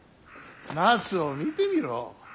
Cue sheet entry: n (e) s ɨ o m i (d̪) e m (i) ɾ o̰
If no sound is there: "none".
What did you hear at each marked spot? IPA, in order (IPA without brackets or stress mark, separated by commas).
a, t̪, i